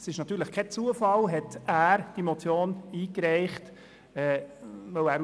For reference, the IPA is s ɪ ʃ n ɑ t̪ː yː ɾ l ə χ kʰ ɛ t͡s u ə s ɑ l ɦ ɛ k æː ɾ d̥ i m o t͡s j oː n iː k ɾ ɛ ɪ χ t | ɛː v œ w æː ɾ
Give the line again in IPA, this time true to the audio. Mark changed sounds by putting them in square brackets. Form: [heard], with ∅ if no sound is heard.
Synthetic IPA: s ɪ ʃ n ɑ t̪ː yː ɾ l ə χ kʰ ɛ t͡s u ə [f] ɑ l ɦ ɛ [t] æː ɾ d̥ i m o t͡s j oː n iː k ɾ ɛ ɪ χ t | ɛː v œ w æː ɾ